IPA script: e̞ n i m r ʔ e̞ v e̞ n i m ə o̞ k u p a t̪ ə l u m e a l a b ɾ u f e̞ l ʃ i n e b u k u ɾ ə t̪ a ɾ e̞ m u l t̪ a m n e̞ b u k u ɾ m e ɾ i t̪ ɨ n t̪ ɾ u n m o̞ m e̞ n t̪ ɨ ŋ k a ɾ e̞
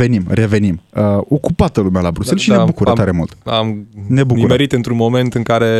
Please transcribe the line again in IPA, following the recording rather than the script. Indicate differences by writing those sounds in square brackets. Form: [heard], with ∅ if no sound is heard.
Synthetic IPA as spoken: e̞ n i m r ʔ e̞ v e̞ n i m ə o̞ k u p a t̪ ə l u m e a l a b ɾ u [s] e̞ l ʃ i n e b u k u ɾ ə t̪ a ɾ e̞ m u l t̪ a m n e̞ b u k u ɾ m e ɾ i t̪ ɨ n t̪ ɾ u n m o̞ m e̞ n t̪ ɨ ŋ k a ɾ e̞